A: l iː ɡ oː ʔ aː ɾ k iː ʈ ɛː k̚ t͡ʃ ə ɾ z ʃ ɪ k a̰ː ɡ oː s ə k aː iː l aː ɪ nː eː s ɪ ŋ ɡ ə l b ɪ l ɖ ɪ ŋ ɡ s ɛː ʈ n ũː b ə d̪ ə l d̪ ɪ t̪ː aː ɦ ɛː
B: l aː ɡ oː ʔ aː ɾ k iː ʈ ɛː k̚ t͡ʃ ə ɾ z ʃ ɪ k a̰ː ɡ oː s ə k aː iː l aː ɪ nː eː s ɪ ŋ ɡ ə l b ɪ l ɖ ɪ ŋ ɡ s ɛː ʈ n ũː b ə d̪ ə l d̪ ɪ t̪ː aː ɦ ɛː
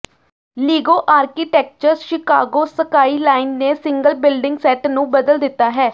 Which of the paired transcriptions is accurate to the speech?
A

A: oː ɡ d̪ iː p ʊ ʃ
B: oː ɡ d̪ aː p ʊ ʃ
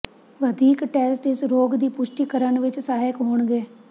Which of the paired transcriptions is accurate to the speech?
A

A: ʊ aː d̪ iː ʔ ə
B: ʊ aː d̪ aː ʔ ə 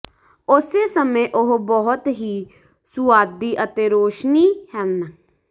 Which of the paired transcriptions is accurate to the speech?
A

